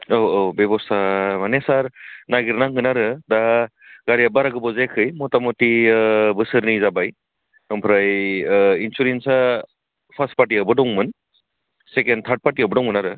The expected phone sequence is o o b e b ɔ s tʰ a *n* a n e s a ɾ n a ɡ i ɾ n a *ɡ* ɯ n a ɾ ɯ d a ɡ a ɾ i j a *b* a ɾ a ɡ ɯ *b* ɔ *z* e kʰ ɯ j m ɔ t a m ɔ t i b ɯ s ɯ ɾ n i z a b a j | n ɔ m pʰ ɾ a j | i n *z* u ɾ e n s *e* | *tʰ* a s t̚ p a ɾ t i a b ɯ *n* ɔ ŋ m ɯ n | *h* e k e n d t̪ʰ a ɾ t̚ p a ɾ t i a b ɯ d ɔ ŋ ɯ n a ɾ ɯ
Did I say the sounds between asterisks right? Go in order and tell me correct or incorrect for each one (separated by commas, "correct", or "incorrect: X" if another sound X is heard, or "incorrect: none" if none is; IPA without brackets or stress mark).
incorrect: m, incorrect: ŋ, correct, correct, correct, incorrect: s, incorrect: a, incorrect: pʰ, incorrect: d, incorrect: s